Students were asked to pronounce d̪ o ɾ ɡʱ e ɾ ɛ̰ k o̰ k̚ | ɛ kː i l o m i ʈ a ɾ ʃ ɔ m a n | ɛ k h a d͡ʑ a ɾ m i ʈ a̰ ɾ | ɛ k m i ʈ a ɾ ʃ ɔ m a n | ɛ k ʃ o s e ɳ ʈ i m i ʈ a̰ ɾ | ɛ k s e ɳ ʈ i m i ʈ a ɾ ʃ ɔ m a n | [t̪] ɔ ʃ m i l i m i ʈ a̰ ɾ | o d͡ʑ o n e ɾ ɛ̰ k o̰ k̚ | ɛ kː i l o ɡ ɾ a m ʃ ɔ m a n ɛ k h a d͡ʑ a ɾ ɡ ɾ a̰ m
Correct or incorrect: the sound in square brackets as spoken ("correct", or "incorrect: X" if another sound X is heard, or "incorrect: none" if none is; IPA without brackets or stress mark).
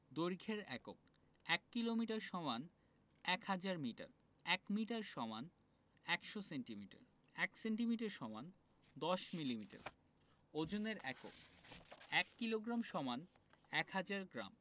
incorrect: d̪